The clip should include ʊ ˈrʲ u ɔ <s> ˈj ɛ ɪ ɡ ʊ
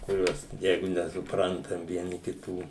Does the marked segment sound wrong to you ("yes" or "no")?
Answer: no